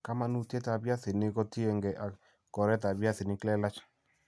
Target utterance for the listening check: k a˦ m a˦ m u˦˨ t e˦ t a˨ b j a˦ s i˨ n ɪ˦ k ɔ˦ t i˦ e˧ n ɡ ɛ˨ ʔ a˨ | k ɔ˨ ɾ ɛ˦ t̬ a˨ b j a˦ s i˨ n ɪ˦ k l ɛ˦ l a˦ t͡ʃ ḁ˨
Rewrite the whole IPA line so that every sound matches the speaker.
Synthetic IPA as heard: k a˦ m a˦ n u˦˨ t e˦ t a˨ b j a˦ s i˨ n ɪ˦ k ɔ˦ t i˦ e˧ ŋ ɡ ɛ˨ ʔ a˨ | k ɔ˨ ɾ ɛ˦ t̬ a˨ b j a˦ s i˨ n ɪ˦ k l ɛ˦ l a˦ t͡ʃ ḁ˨